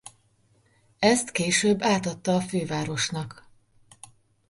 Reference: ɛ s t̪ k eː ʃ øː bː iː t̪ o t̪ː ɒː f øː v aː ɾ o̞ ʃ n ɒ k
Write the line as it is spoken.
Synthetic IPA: ɛ s t̪ k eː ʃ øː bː aː t̪ ɒ t̪ː ɒː f øː v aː ɾ o̞ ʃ n ɒ k